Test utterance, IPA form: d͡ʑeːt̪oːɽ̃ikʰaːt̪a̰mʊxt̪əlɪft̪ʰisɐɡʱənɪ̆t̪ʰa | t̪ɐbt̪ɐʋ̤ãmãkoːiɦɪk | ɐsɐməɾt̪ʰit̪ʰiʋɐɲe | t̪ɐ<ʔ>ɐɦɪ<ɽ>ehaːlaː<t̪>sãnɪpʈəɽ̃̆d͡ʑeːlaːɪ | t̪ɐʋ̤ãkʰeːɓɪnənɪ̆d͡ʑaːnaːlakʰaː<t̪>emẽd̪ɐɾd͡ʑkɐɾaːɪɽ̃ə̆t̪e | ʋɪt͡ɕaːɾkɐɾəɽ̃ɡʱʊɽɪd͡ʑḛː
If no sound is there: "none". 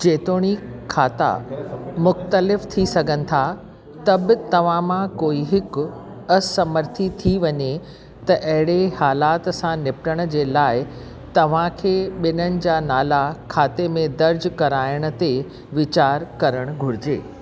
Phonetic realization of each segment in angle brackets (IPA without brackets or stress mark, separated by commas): ʔ, ɽ, t̪, t̪